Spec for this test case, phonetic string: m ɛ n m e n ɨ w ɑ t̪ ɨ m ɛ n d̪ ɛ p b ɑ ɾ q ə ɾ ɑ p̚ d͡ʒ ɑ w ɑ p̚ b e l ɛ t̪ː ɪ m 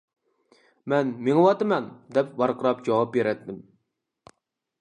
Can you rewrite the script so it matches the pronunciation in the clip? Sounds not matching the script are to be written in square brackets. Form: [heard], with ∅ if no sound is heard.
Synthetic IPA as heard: m ɛ n m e [ŋ] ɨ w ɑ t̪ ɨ m ɛ n d̪ ɛ p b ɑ ɾ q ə ɾ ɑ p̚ d͡ʒ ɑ w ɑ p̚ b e [ɾ] ɛ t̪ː ɪ m